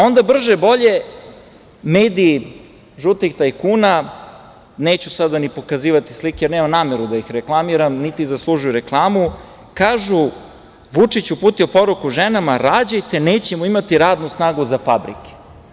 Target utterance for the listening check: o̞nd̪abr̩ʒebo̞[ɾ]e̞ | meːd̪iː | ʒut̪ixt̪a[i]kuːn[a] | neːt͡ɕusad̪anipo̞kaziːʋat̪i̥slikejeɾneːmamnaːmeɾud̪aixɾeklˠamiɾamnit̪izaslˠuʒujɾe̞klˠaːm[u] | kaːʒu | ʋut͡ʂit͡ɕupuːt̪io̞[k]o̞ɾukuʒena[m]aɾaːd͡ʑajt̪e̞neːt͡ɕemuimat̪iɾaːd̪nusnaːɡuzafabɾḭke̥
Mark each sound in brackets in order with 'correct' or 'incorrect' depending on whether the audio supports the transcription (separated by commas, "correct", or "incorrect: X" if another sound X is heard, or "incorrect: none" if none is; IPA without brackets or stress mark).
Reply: incorrect: ʎ, incorrect: j, correct, correct, incorrect: p, correct